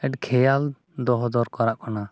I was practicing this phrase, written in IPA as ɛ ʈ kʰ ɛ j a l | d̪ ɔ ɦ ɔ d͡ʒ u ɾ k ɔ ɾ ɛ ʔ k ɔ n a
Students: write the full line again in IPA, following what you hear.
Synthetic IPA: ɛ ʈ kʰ ɛ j a l | d̪ ɔ ɦ ɔ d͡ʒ ɔ ɾ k ɔ ɾ a ʔ k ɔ n a

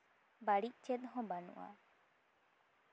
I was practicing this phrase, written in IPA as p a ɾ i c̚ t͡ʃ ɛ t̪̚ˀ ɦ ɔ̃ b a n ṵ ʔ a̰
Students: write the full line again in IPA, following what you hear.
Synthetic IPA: b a ɽ i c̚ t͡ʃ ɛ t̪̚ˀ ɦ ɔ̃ b a n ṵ ʔ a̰

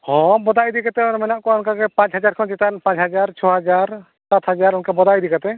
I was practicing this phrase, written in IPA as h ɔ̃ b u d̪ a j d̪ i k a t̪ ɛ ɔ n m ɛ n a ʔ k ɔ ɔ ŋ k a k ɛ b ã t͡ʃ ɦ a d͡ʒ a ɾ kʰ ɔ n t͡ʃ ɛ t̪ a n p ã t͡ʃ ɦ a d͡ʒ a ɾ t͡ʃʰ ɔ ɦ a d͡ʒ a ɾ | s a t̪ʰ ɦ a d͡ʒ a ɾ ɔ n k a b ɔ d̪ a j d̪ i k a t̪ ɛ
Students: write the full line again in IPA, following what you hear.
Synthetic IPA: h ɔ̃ b ɔ d̪ a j d̪ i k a t̪ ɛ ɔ n m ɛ n a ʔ k ɔ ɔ n k a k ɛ p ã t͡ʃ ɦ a d͡ʒ a ɾ kʰ ɔ n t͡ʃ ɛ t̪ a n p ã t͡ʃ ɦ a d͡ʒ a ɾ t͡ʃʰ ɔ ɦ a d͡ʒ a ɾ | s a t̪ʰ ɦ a d͡ʒ a ɾ ɔ n k a b ɔ d̪ a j d̪ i k a t̪ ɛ

